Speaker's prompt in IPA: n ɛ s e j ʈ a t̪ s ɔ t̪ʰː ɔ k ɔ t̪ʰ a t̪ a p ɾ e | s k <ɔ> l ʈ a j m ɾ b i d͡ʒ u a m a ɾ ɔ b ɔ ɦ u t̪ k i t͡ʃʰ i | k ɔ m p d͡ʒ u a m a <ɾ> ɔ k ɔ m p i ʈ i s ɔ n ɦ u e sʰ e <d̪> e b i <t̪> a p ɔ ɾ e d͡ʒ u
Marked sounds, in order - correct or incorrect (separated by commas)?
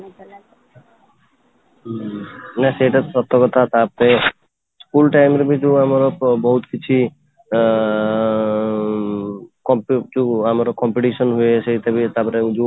incorrect, correct, incorrect, correct